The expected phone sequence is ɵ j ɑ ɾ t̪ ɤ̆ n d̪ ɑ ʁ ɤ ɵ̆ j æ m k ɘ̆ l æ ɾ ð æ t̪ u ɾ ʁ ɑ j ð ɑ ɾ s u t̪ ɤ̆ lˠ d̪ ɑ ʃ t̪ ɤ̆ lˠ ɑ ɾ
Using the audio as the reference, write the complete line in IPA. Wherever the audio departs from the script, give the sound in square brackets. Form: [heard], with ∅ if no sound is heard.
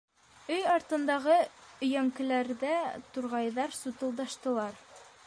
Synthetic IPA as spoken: ɵ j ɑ ɾ t̪ ɤ̆ n d̪ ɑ ʁ ɤ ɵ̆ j æ [ŋ] k ɘ̆ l æ ɾ ð æ t̪ u ɾ ʁ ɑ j ð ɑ ɾ s u t̪ ɤ̆ lˠ d̪ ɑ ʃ t̪ ɤ̆ lˠ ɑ ɾ